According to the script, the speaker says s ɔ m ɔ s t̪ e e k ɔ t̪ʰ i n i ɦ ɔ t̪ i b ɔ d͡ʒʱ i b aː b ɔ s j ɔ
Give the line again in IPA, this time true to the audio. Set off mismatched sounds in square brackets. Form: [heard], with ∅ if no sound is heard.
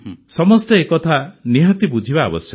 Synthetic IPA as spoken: s ɔ m ɔ s t̪ e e k ɔ t̪ʰ [a] n i ɦ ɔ t̪ i b [u] d͡ʒʱ i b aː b ɔ s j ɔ